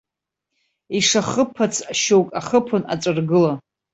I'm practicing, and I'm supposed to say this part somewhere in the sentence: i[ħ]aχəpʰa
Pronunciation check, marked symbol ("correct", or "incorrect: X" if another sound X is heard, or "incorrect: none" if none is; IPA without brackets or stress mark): incorrect: ʂ